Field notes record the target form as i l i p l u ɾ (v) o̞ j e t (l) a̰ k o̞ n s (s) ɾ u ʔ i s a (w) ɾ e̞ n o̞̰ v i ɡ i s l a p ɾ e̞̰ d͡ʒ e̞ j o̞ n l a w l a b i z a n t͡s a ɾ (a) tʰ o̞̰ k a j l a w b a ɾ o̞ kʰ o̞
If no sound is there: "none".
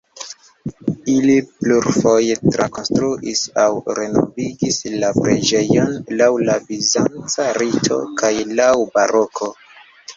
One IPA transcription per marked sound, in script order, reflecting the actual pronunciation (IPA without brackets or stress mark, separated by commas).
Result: f, ɾ, t, w, i